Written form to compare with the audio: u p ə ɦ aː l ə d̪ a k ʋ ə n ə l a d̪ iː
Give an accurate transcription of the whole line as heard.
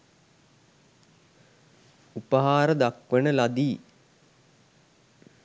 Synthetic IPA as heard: u p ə ɦ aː ɾ ə d̪ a k ʋ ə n ə l a d̪ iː